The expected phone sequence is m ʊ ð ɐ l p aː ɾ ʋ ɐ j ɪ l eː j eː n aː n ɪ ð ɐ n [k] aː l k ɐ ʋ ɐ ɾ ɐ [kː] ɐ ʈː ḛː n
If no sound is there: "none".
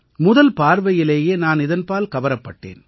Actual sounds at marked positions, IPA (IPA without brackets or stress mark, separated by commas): p, pː